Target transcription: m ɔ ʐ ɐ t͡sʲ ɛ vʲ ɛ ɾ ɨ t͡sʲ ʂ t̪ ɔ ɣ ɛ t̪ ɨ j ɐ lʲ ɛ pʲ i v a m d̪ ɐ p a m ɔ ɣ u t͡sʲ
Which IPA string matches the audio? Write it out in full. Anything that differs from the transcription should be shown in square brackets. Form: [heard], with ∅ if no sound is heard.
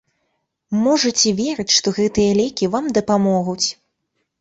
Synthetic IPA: m ɔ ʐ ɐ t͡sʲ ɛ vʲ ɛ ɾ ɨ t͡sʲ ʂ t̪ ɔ ɣ ɛ t̪ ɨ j ɐ lʲ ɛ [kʲ] i v a m d̪ ɐ p a m ɔ ɣ u t͡sʲ